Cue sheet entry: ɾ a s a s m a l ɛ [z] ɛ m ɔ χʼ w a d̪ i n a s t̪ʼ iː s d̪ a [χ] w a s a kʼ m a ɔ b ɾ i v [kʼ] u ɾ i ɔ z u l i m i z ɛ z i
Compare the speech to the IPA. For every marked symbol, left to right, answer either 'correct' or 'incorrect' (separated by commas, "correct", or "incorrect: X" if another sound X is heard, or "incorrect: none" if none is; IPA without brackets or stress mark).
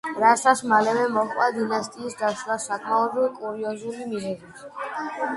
incorrect: v, incorrect: ʃ, correct